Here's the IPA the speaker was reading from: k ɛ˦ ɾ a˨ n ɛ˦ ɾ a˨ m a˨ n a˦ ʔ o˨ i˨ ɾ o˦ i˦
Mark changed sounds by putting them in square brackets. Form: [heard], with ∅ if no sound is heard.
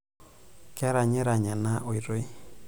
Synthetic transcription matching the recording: k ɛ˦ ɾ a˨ [ɲ] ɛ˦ ɾ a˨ [ɲ] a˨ n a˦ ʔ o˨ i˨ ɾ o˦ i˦